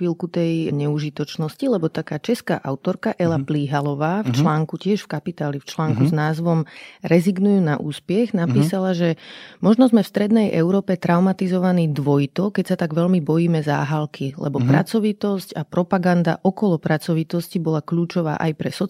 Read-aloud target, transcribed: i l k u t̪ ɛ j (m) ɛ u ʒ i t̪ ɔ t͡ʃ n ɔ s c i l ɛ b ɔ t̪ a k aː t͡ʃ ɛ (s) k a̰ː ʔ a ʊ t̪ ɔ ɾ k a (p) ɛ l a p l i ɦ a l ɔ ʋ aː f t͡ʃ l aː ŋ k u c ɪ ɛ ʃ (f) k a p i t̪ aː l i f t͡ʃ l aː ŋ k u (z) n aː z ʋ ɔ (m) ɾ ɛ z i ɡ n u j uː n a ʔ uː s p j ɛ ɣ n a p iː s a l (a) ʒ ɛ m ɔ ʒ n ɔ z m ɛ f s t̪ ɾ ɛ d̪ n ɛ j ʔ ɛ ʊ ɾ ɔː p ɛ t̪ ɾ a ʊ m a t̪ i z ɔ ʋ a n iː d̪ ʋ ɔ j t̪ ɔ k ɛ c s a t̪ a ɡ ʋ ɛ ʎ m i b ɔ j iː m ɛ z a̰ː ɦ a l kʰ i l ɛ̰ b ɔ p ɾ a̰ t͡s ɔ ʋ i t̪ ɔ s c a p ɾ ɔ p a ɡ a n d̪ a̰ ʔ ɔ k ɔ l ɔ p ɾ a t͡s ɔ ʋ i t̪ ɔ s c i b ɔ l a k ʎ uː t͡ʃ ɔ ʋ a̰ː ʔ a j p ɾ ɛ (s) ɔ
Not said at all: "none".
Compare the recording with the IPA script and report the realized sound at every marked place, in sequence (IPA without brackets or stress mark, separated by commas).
ɲ, s, ʔ, f, z, m, a, s